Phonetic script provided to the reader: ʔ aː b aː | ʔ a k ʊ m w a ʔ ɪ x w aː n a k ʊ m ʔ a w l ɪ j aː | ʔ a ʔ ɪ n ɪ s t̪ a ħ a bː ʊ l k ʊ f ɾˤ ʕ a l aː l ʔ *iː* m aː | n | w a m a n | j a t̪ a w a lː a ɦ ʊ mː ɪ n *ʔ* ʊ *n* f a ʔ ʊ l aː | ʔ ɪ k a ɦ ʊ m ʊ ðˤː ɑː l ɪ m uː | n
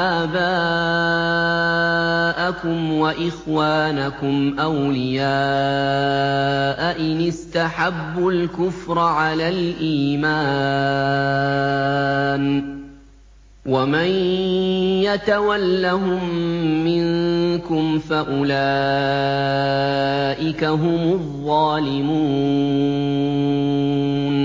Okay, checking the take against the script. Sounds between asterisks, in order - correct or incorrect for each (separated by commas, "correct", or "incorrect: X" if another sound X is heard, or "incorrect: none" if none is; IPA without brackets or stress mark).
correct, incorrect: k, incorrect: m